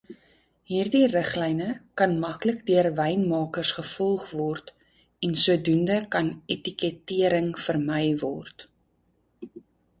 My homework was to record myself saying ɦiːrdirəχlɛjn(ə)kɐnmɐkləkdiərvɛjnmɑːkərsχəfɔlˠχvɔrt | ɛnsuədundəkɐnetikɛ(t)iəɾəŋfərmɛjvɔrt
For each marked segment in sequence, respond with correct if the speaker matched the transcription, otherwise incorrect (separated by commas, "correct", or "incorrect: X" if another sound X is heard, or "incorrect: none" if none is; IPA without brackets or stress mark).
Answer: correct, correct